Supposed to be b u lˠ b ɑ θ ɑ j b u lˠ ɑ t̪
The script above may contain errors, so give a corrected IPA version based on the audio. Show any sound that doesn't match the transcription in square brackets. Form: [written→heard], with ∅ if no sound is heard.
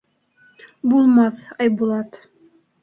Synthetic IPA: b u lˠ [b→m] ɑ θ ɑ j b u lˠ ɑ t̪